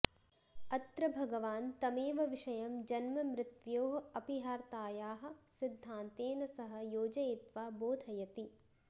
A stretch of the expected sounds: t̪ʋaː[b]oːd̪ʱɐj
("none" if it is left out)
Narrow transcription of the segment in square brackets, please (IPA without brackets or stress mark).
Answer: b